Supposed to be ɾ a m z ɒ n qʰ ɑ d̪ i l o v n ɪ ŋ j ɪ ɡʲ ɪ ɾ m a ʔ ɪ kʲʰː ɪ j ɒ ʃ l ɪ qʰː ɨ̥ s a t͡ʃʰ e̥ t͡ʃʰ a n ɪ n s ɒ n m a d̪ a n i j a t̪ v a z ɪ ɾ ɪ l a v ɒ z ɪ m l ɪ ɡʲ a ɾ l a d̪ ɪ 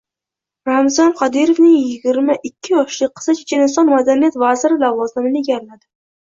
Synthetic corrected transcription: ɾ a m z ɒ n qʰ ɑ d̪ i ɾ o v n ɪ ŋ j ɪ ɡʲ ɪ ɾ m a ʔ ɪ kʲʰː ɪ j ɒ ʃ l ɪ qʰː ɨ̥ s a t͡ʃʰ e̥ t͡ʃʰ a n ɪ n s ɒ n m a d̪ a n i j a t̪ v a z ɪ ɾ ɪ l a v ɒ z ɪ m l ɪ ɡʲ a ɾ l a d̪ ɪ